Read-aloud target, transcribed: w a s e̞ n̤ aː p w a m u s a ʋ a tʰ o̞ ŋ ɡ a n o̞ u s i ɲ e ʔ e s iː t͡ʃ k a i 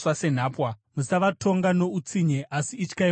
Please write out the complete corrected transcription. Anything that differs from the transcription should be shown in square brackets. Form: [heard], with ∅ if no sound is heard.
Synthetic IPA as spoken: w a s e̞ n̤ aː p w a m u s a ʋ a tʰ o̞ ŋ ɡ a n o̞ u [t͡s] i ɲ e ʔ [a] s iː t͡ʃ k a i